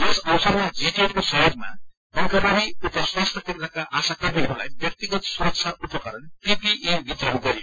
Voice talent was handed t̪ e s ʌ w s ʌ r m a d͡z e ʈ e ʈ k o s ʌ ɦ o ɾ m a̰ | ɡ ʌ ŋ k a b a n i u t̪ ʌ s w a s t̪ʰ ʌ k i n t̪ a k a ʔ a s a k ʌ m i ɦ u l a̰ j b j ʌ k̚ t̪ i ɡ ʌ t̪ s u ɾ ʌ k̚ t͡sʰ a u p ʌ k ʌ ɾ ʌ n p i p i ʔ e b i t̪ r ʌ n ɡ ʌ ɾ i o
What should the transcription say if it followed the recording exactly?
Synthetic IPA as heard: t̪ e s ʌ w s ʌ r m a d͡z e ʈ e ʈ k o s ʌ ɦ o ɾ m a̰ | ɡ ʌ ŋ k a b a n i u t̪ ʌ s w a s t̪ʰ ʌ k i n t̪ a k a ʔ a s a k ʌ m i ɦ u l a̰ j b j ʌ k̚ t̪ i ɡ ʌ t̪ s u ɾ ʌ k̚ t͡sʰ a u p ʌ k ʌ ɾ ʌ n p i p i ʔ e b i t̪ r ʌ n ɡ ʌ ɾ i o